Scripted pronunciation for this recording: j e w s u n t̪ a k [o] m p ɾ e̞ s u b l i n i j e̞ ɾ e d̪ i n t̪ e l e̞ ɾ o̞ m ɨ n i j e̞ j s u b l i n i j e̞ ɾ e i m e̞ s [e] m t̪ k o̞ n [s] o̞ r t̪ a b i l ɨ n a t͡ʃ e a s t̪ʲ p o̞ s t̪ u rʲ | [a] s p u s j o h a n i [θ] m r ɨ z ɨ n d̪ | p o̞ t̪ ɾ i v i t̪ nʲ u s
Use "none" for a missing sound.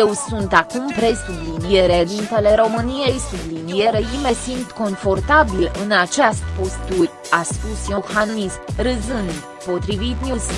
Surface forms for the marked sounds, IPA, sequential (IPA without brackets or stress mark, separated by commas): u, i, f, a, s